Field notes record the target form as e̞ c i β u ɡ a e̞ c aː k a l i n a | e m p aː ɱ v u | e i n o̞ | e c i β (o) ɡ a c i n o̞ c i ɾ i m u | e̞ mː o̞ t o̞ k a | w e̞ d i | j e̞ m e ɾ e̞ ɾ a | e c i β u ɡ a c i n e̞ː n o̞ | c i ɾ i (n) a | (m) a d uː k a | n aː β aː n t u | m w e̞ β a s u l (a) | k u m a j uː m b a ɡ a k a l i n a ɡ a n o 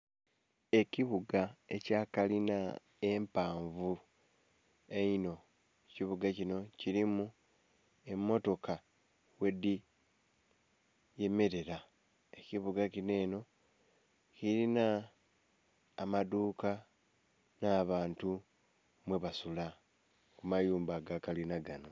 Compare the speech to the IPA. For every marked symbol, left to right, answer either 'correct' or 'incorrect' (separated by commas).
incorrect, correct, correct, correct